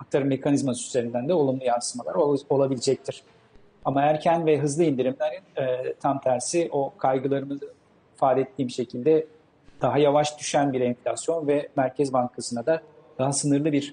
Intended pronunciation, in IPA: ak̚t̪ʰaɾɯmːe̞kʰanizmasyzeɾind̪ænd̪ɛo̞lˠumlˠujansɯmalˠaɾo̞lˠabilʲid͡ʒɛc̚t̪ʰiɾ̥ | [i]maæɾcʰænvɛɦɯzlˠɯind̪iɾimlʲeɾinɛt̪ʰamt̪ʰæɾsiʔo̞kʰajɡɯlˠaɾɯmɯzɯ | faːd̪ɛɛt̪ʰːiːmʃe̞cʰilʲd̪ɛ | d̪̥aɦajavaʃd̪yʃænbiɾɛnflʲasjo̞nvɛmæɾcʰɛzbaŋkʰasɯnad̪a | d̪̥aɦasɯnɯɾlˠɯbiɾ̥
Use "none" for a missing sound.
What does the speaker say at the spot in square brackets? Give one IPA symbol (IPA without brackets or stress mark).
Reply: a